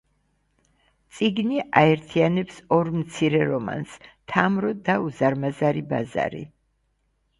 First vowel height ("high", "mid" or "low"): high